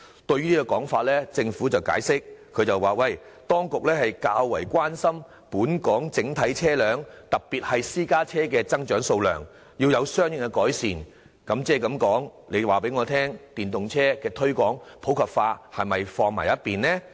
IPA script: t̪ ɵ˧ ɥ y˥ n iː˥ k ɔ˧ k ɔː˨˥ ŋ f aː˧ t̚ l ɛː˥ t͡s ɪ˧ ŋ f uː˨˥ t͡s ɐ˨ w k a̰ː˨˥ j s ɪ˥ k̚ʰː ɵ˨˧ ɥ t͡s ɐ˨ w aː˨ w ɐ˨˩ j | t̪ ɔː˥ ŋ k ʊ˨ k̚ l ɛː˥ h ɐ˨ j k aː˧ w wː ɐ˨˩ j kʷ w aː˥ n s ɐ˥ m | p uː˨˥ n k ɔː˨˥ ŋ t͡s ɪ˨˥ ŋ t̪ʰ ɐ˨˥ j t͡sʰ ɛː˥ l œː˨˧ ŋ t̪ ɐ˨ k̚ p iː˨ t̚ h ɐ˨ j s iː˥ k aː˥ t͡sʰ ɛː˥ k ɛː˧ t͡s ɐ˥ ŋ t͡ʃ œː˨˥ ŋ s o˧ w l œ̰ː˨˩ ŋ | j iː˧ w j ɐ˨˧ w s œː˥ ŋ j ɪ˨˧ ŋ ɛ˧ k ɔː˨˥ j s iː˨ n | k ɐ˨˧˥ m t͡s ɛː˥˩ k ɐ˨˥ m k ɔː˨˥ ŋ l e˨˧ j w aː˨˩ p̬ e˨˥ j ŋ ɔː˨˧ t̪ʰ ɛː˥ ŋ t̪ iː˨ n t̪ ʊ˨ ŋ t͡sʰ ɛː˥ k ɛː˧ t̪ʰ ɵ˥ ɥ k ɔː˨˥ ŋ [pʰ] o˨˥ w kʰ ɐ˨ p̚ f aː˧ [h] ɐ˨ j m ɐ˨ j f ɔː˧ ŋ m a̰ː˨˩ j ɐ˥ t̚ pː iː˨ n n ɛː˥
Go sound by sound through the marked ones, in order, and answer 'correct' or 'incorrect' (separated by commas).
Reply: correct, correct